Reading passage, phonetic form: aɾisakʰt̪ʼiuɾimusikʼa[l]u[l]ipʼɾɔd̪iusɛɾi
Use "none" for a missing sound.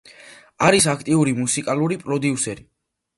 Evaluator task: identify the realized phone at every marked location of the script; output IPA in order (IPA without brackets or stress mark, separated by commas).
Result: l, ɾ